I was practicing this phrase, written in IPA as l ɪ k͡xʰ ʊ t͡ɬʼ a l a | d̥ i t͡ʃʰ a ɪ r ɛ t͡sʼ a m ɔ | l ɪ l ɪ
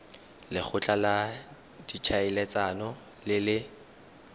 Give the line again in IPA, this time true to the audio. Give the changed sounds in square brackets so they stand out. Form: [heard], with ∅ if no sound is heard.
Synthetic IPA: l ɪ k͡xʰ ʊ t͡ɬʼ a l a | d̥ i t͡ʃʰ a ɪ [l] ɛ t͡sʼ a [n] ɔ | l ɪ l ɪ